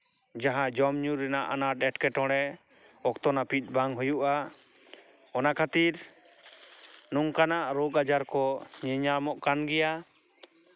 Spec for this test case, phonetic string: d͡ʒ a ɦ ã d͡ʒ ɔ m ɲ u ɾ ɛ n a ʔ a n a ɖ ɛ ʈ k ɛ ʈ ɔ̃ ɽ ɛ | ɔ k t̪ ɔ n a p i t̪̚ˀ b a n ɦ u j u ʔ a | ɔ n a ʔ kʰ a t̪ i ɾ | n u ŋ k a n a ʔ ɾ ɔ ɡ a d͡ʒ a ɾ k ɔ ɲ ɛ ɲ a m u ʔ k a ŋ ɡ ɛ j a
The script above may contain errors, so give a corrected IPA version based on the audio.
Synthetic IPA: d͡ʒ a ɦ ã d͡ʒ ɔ m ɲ u ɾ ɛ n a ʔ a n a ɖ ɛ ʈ k ɛ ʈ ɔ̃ ɽ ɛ | ɔ k t̪ ɔ n a p i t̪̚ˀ b a ŋ ɦ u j u ʔ a | ɔ n a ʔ kʰ a t̪ i ɾ | n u ŋ k a n a ʔ ɾ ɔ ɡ a d͡ʒ a ɾ k ɔ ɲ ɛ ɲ a m ɔ ʔ k a n ɡ ɛ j a